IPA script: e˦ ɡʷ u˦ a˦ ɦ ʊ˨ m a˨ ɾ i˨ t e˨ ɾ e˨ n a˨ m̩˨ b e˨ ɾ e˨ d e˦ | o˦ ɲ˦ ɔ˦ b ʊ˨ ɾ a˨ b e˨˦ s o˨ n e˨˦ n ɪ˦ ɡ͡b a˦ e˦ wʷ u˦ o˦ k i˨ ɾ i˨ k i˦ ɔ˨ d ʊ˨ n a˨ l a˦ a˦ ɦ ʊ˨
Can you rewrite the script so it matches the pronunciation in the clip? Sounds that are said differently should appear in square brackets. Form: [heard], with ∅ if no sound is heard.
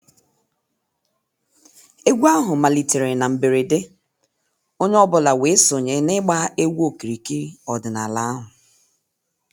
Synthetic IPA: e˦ ɡʷ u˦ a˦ ɦ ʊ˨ m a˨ [l] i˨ t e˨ ɾ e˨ n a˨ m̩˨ b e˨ ɾ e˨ d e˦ | o˦ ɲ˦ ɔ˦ b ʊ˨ [l] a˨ [w] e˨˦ s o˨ [ɲ] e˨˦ n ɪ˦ ɡ͡b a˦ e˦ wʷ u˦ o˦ k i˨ ɾ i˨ k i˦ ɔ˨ d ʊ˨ n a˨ l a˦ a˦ ɦ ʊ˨